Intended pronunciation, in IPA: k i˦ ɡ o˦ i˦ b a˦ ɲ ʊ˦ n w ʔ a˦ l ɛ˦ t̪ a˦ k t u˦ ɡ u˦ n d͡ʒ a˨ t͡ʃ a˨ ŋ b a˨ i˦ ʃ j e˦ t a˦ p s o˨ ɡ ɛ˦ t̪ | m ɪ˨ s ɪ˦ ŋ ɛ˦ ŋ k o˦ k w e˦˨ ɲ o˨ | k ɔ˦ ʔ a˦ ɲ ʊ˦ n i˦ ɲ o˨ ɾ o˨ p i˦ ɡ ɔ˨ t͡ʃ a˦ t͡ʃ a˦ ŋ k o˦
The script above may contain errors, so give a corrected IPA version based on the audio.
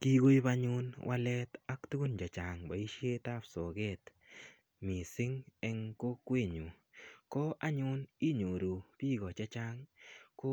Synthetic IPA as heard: k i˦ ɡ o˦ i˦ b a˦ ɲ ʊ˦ n w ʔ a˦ l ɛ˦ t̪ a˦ k t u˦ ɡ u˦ n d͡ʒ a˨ t͡ʃ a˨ ŋ b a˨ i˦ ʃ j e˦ t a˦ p s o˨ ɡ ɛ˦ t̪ | m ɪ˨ s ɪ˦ ŋ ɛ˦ ŋ k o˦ k w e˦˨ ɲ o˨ | k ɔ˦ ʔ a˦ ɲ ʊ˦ n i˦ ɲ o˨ ɾ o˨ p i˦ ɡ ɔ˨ t͡ʃ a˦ t͡ʃ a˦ ŋ k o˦

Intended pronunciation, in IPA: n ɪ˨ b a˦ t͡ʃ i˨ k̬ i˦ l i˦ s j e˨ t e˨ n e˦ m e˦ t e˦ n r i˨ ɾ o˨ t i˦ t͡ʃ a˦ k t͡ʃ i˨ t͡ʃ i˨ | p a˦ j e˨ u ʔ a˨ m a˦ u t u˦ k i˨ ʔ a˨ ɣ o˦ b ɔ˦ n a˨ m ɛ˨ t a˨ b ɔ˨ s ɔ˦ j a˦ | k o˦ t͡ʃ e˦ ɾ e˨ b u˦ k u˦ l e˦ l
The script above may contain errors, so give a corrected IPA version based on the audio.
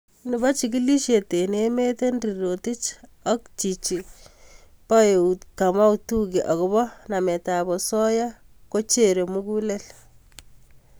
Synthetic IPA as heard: n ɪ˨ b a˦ t͡ʃ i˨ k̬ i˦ l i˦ ʃ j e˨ t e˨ n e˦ m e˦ t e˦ n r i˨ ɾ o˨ t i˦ t͡ʃ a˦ k t͡ʃ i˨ t͡ʃ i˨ | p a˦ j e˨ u k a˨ m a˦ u t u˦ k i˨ ʔ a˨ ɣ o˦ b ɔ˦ n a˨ m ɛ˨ t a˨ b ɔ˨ s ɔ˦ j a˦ | k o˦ t͡ʃ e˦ ɾ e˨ m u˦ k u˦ l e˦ l

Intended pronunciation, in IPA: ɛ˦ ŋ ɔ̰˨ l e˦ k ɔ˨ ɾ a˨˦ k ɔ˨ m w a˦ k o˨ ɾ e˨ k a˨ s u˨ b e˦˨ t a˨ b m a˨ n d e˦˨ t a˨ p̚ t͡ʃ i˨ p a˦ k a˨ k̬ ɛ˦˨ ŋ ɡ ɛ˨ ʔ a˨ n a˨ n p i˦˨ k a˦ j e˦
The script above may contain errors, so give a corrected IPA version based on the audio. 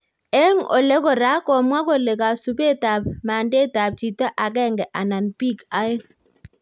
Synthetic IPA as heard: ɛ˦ ŋ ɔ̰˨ l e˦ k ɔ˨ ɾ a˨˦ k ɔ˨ m w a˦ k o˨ l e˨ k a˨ s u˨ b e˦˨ t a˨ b m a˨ n d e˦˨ t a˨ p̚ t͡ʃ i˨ t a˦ ʔ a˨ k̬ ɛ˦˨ ŋ ɡ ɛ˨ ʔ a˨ n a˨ n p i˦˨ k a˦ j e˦

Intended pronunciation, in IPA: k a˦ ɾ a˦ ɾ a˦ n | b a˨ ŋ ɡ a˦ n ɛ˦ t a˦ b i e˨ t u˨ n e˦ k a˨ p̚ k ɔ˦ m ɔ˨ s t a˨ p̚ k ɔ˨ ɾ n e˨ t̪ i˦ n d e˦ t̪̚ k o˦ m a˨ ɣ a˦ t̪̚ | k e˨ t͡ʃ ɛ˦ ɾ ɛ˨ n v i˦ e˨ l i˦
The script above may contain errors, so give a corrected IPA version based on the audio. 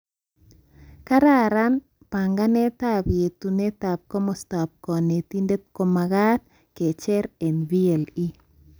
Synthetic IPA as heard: k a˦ ɾ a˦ ɾ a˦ n | p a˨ ŋ ɡ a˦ n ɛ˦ t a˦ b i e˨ t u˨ n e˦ t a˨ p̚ k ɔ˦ m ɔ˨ s t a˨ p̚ k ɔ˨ n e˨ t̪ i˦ n d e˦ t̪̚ k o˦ m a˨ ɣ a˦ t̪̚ | k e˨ t͡ʃ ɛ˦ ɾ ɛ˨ n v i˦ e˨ l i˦

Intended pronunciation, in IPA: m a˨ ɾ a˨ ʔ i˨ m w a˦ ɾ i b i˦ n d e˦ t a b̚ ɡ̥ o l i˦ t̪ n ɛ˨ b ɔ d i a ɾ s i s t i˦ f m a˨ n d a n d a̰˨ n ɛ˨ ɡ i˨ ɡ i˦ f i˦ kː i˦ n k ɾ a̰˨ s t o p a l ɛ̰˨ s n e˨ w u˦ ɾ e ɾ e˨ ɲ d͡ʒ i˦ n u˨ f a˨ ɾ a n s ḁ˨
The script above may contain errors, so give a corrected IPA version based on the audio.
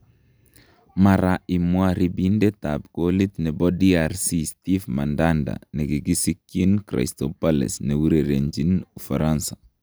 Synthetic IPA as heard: m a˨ ɾ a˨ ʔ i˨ m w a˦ ɾ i b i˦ n d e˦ t a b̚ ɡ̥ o l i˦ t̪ n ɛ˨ b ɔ d i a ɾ s i s t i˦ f m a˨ n d a n d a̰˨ n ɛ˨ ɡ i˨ ɡ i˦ s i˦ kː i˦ n k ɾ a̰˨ s t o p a l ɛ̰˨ s n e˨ w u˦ ɾ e ɾ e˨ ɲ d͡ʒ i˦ n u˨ f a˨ ɾ a n s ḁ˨

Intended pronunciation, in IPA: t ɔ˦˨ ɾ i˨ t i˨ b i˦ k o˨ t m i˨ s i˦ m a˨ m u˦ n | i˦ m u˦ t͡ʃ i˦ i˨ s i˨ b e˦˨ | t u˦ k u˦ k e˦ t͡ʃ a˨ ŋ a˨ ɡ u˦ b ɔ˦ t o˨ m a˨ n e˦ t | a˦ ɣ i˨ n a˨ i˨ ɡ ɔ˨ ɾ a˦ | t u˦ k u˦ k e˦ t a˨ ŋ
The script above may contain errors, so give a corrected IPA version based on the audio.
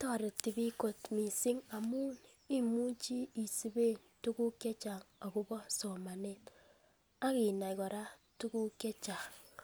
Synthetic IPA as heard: t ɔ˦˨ ɾ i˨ t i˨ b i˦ k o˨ t m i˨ s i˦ ŋ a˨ m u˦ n | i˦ m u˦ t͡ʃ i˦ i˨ s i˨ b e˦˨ | t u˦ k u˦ k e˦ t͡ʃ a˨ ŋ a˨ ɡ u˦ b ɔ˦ s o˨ m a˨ n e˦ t | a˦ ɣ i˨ n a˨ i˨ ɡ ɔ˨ ɾ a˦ | t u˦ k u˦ k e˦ t͡ʃ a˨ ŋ

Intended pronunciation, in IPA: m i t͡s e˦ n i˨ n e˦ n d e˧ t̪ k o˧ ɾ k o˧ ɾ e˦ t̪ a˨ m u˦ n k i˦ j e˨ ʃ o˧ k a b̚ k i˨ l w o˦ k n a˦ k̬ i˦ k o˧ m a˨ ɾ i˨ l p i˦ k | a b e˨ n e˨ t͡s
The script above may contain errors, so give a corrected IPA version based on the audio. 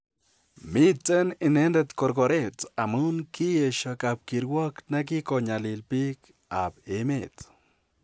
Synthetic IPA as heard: m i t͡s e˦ n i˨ n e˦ n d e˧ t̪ k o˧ ɾ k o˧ ɾ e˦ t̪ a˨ m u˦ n k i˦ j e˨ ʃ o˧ k a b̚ k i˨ ɾ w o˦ k n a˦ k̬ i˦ k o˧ ɲ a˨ l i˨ l p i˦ k | a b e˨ m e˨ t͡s

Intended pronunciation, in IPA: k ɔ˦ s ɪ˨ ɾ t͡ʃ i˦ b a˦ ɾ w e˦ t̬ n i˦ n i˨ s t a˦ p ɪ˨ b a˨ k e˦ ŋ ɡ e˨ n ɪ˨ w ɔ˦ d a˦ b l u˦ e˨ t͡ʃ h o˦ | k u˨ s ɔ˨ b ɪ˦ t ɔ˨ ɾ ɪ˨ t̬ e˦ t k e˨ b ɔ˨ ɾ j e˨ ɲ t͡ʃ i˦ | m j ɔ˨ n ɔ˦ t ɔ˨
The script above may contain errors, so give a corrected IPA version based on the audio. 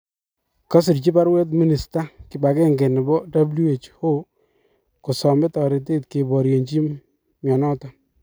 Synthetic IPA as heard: k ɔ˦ s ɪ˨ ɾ t͡ʃ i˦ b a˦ ɾ w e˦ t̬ m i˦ n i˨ s t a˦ k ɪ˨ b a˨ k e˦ ŋ ɡ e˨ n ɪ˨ b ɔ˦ d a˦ b l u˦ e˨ t͡ʃ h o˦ | k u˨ s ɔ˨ m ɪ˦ t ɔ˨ ɾ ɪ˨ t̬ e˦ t k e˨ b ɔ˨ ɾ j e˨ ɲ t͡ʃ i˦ | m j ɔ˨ n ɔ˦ t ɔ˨

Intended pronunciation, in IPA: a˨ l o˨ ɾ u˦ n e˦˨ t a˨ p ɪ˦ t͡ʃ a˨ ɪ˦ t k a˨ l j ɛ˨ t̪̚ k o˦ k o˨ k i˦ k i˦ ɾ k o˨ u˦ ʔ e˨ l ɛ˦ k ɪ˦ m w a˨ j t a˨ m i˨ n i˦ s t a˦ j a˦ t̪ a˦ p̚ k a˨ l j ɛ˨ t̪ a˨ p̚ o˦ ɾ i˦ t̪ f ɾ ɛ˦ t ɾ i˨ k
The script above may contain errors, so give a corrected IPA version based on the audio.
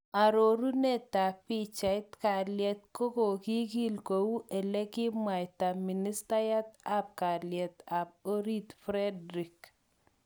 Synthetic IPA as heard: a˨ ɾ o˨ ɾ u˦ n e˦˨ t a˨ p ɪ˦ t͡ʃ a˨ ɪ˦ t k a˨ l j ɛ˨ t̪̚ k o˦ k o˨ k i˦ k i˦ l k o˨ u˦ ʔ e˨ l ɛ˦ k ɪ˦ m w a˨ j t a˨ m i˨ n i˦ s t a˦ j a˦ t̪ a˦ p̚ k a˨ l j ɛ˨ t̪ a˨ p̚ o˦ ɾ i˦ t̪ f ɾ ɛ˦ d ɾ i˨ k

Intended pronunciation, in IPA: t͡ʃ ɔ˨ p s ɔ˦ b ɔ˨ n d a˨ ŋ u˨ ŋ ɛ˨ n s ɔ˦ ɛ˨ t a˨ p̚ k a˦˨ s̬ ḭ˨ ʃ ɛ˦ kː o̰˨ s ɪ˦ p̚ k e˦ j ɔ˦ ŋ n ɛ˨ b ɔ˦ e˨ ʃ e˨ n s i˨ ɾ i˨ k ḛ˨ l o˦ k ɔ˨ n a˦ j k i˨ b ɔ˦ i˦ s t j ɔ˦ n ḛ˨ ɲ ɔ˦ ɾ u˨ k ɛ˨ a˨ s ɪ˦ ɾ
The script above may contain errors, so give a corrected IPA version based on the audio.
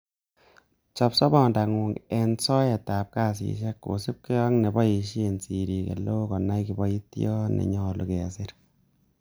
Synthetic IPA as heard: t͡ʃ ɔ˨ p s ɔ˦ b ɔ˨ n d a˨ ŋ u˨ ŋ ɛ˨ n s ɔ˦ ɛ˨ t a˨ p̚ k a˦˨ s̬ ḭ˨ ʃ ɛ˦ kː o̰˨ s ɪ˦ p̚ k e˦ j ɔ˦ ŋ n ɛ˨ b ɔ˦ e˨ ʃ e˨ n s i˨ ɾ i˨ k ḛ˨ l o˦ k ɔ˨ n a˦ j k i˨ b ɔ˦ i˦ t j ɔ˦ n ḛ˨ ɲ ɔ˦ l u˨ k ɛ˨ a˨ s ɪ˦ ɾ

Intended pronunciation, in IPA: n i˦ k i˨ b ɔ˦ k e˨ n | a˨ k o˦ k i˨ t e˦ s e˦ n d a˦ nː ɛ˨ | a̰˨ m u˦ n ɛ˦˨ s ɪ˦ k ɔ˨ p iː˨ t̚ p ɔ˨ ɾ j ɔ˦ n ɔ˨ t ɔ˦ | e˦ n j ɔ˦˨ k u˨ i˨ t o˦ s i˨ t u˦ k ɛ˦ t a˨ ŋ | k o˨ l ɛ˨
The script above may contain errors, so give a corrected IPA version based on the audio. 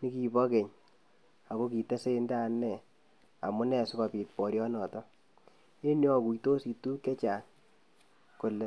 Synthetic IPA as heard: n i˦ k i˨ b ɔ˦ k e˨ ɲ | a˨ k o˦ k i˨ t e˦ s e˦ n d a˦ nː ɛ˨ | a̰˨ m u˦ n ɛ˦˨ s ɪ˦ k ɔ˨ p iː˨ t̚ p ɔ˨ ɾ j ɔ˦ n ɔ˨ t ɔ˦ | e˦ n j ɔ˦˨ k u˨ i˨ t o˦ s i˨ t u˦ k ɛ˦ t͡ʃ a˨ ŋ | k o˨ l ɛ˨

